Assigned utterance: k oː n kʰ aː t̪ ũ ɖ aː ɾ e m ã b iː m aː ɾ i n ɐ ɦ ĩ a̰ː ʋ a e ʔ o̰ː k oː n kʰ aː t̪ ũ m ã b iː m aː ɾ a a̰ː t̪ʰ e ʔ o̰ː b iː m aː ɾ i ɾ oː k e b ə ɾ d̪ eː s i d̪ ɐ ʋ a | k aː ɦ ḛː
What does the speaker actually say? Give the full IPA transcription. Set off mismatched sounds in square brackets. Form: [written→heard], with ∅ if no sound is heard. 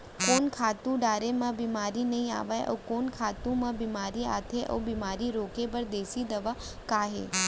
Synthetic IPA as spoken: k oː n kʰ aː t̪ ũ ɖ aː ɾ e m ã b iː m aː ɾ i n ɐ ɦ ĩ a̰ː ʋ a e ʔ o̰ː k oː n kʰ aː t̪ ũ m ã b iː m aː ɾ [a→i] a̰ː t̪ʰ e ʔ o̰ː b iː m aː ɾ i ɾ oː k e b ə ɾ d̪ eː s i d̪ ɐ ʋ a | k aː ɦ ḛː